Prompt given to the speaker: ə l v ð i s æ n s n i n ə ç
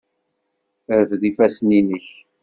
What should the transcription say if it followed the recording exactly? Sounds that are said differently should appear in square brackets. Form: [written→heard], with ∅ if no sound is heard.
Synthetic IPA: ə [l→ɾ] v ð i [s→f] æ [n→∅] s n i n ə ç